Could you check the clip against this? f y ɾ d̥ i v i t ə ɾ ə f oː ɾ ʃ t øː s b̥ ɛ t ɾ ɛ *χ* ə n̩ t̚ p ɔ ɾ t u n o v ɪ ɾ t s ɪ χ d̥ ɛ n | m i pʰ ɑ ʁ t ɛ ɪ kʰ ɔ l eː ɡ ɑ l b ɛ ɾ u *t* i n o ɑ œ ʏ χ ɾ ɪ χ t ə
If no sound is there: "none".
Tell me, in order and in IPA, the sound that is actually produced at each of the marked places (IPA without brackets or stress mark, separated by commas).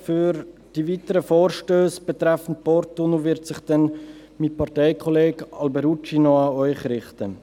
f, t͡ʃ